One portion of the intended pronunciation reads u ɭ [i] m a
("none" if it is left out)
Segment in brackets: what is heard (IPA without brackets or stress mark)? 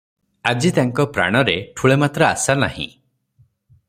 e